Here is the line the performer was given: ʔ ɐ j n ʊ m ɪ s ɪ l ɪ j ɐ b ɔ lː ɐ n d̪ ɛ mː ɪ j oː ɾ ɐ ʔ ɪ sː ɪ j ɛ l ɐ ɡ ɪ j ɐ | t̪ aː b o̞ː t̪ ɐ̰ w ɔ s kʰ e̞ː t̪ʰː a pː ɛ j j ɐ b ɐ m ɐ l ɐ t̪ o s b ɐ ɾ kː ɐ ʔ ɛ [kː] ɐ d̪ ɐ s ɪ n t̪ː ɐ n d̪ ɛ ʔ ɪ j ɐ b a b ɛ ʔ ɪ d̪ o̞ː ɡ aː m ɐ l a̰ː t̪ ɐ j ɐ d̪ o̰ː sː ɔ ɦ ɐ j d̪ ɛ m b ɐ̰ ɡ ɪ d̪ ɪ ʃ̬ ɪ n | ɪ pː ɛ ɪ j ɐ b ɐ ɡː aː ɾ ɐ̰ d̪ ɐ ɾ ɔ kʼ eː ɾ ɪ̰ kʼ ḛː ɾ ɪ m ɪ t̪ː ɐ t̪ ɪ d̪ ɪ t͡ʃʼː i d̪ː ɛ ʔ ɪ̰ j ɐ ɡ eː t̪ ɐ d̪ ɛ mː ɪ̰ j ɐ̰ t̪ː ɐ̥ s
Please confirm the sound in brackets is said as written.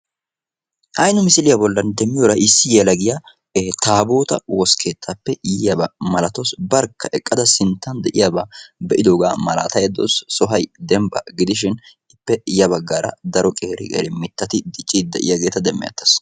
no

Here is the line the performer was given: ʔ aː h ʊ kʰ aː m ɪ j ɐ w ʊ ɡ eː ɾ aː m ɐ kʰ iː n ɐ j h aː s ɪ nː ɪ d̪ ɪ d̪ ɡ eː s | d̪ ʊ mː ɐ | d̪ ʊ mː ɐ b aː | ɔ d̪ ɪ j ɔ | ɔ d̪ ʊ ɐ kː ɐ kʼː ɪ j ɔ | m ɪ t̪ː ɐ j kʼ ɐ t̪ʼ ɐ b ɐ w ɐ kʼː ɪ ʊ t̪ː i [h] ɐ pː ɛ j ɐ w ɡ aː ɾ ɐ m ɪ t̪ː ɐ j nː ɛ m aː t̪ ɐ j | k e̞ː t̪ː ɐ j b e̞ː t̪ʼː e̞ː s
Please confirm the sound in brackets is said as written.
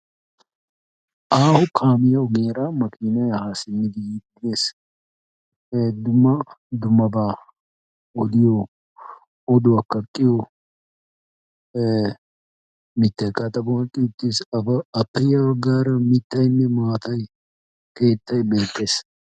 no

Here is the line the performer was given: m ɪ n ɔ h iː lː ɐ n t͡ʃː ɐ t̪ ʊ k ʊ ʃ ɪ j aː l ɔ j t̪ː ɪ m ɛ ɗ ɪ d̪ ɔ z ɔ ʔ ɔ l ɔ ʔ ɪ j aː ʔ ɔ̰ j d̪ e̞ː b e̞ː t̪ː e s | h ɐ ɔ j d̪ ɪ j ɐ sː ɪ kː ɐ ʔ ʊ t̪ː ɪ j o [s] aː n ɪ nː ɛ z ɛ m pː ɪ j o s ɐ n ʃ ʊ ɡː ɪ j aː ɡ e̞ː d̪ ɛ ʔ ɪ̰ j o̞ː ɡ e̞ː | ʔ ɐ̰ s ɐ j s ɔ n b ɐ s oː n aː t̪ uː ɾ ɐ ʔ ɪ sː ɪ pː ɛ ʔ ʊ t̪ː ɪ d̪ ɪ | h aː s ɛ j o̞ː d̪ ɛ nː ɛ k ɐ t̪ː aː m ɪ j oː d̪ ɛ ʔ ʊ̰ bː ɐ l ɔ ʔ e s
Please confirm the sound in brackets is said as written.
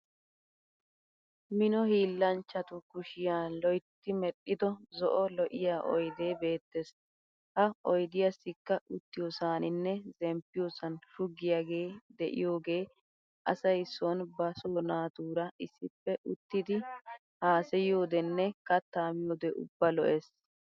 yes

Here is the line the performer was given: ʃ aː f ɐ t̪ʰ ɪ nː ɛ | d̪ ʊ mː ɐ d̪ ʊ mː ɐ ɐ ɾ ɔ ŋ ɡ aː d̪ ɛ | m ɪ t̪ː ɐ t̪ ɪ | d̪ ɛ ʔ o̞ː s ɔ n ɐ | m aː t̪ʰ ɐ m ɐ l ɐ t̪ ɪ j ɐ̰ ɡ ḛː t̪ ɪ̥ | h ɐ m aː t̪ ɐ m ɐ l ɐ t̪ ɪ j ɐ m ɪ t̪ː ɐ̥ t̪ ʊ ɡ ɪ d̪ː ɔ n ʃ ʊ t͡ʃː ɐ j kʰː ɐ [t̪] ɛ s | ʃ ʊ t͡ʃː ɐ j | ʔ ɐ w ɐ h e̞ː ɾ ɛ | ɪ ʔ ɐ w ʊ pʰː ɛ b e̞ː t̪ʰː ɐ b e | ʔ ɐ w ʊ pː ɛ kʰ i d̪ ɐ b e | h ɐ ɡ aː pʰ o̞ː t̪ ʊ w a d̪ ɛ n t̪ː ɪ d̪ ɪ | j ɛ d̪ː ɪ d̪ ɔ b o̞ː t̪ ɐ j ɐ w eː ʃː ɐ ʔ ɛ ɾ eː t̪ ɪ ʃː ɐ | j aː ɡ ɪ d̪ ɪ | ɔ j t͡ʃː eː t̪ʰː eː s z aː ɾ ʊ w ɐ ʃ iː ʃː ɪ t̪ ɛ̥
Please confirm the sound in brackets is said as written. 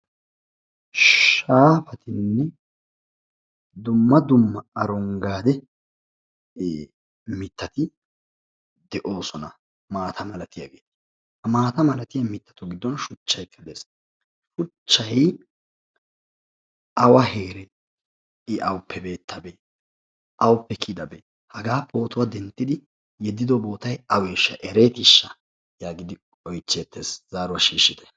no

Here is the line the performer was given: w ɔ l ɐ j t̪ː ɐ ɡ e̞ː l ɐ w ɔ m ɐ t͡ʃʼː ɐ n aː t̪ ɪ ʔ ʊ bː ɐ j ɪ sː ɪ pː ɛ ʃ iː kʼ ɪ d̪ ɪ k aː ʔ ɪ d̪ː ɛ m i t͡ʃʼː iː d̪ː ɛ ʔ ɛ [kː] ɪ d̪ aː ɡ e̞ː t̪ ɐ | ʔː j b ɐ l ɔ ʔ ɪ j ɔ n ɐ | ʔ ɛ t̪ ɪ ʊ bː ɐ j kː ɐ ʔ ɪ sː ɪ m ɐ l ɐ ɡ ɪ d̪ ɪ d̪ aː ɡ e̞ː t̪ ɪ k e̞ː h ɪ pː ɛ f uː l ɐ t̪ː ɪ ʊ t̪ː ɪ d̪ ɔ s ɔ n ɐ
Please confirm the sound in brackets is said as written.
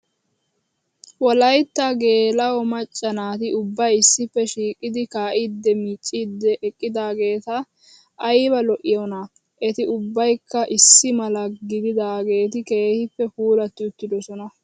no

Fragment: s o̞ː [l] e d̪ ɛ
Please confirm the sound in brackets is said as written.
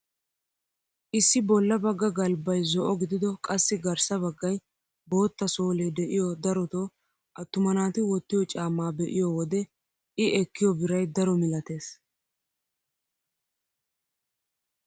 yes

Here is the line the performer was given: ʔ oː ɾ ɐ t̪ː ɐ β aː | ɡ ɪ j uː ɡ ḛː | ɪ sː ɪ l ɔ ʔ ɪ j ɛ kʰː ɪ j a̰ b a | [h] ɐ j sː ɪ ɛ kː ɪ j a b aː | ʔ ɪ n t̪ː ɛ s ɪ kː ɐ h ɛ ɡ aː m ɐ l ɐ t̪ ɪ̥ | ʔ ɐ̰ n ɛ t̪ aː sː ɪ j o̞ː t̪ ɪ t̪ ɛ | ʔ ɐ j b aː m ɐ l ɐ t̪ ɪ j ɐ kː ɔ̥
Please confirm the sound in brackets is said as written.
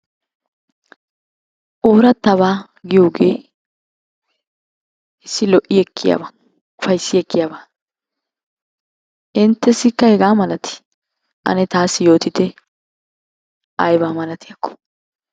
no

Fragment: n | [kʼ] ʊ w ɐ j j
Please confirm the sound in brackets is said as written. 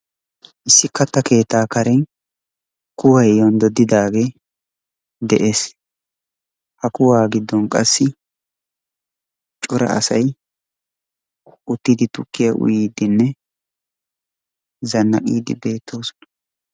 no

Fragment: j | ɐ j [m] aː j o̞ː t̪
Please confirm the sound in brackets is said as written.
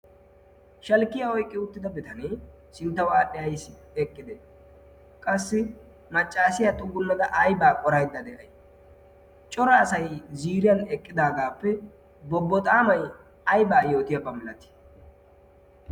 no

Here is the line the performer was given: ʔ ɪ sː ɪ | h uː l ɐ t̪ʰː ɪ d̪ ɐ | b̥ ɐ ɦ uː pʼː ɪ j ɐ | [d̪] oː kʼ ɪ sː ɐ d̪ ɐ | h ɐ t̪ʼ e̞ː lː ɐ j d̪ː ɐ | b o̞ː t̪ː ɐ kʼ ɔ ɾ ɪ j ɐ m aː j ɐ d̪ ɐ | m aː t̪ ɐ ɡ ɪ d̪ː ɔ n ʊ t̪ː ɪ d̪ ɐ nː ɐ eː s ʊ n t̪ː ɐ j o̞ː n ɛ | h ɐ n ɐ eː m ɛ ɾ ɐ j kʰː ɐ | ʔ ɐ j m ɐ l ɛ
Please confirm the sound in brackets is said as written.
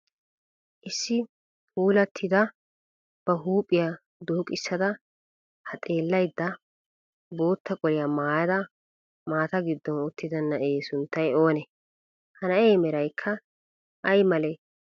yes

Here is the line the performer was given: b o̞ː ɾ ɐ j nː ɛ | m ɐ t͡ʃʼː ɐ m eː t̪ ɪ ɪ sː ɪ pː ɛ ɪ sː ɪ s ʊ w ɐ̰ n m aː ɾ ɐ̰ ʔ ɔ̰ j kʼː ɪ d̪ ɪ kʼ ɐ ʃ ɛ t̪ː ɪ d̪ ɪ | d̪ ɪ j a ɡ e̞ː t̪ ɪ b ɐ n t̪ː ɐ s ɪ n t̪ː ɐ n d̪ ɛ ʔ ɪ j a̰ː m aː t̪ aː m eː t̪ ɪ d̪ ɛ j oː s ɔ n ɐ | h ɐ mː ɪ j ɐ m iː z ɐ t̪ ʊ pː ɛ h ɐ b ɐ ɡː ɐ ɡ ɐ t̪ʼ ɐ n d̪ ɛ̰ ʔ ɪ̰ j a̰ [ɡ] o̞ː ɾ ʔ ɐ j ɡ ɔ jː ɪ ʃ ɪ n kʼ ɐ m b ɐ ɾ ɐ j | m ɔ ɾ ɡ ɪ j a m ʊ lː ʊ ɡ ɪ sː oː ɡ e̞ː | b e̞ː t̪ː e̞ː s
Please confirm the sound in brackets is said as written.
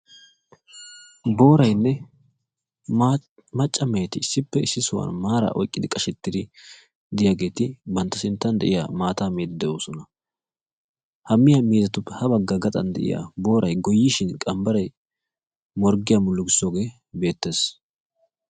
no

